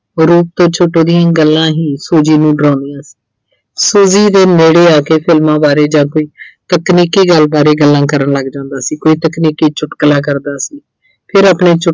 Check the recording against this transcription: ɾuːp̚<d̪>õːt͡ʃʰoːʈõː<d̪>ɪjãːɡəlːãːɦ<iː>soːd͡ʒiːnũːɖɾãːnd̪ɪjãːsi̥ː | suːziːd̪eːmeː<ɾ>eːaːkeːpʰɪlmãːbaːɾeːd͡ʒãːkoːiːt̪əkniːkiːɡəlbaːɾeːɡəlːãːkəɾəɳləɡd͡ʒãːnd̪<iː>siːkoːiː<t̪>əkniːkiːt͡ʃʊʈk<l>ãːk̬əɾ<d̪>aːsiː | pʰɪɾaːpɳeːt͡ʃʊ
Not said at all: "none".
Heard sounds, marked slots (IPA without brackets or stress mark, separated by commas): t̪, d̪, iː, ɽ, aː, t̪, l, d̪